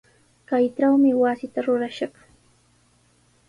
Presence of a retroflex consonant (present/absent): present